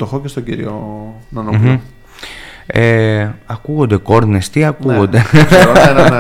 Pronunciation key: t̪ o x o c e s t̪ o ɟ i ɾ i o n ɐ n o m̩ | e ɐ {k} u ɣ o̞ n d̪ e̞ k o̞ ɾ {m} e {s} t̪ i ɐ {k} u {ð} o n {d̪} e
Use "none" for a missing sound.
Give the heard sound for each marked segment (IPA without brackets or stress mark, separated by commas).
k, n, s, k, ɣ, d̪